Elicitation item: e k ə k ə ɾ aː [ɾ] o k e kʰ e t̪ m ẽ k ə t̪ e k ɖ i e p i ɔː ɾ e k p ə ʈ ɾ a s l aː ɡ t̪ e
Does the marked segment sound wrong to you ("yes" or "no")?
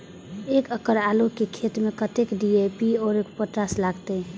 yes